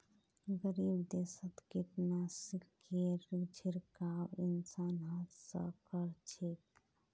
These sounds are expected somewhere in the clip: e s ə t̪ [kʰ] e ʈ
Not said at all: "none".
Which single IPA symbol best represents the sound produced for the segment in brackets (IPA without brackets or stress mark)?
k